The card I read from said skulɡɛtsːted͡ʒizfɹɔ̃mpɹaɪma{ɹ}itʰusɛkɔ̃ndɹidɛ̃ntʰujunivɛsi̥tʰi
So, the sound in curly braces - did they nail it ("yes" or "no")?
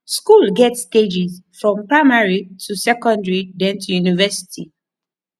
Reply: yes